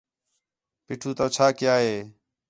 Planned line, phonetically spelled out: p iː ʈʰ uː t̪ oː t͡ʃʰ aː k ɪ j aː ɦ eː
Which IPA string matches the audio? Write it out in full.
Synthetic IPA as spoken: p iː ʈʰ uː t̪ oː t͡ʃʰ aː k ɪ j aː ɦ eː